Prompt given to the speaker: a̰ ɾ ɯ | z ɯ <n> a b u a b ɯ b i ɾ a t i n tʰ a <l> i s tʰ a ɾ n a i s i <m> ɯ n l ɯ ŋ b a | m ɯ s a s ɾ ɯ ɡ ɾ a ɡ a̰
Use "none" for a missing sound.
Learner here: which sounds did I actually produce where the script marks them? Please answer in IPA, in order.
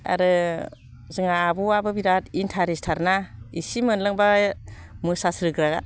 ŋ, ɾ, m

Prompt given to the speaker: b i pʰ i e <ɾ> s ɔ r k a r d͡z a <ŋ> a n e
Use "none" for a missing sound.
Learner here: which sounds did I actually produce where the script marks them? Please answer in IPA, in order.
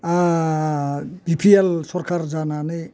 l, n

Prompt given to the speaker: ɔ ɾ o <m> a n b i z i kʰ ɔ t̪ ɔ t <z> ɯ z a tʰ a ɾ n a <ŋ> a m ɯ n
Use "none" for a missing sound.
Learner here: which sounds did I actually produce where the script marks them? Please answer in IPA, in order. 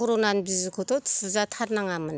n, s, ŋ

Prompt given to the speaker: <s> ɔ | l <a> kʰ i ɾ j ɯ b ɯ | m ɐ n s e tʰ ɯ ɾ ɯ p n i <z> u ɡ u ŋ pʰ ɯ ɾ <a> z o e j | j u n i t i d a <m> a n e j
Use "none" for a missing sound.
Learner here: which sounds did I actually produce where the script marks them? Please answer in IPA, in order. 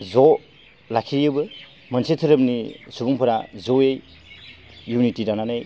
z, a, s, a, n

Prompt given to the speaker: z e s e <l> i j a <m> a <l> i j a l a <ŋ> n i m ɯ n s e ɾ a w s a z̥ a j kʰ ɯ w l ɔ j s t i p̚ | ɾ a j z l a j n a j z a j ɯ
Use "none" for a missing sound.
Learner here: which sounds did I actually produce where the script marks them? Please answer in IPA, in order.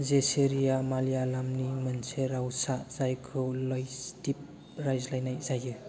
ɾ, m, l, m

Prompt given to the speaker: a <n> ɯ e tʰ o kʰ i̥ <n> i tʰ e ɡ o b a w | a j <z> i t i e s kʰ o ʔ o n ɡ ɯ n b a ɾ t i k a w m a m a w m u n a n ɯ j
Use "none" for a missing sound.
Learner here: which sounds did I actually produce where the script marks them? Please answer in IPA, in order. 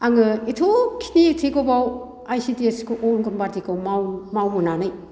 ŋ, n, s

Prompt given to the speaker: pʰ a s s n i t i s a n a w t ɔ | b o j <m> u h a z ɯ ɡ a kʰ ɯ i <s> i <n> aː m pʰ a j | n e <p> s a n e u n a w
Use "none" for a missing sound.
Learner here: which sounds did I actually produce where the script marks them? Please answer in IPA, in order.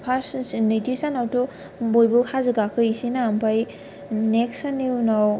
b, s, n, k

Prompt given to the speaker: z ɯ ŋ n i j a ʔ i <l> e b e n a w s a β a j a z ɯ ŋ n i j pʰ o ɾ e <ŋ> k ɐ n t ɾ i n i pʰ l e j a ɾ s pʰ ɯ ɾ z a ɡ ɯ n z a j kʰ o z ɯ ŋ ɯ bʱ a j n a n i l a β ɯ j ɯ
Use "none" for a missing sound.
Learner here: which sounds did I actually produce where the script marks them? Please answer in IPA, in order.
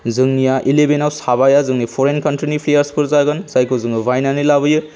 l, n

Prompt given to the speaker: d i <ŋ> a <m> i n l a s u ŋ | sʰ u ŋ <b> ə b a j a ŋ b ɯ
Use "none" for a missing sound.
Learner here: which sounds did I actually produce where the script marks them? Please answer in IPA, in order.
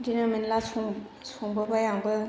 n, m, b

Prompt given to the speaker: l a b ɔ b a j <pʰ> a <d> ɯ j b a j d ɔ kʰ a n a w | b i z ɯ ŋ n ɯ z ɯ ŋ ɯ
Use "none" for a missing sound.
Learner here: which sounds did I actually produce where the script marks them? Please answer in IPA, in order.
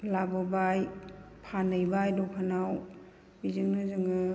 pʰ, n

